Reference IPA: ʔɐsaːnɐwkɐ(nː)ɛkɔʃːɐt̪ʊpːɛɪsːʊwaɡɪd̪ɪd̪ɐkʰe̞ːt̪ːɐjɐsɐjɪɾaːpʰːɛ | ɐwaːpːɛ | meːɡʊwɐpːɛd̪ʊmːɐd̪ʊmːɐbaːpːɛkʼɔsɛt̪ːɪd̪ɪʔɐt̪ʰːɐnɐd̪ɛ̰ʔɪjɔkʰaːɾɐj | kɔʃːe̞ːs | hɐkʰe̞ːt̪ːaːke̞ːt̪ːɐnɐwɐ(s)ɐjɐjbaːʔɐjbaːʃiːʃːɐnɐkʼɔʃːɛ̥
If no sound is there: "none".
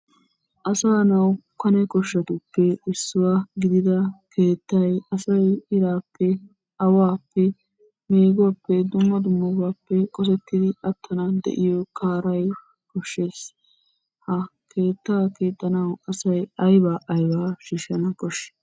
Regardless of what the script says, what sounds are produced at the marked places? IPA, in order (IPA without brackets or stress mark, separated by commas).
n, s